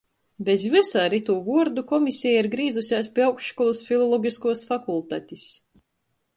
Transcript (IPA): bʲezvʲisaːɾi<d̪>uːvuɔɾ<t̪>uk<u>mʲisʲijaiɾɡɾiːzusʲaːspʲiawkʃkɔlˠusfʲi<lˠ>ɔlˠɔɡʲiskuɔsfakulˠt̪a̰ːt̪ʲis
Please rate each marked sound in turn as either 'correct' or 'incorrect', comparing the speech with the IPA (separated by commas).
incorrect, incorrect, incorrect, correct